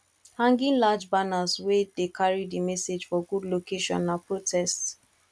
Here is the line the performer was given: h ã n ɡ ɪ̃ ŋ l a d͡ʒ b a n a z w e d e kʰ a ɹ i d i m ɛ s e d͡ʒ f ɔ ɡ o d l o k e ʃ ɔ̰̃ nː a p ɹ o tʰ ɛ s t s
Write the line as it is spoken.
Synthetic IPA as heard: h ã ŋ ɡ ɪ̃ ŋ l a d͡ʒ b a n a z w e d e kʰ a ɹ i d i m ɛ s e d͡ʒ f ɔ ɡ u d l o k e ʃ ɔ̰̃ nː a p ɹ o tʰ ɛ s t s